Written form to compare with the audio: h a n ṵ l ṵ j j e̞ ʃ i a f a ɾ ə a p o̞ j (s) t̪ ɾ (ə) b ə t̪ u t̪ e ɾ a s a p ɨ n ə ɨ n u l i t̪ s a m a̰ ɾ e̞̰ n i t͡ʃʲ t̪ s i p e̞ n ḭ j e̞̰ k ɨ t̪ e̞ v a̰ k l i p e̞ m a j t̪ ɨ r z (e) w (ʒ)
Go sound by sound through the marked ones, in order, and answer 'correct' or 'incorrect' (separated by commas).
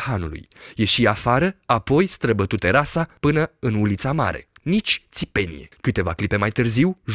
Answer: correct, correct, incorrect, correct